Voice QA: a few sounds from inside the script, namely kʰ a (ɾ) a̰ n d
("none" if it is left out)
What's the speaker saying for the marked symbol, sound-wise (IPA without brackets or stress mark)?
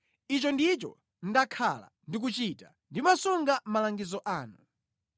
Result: l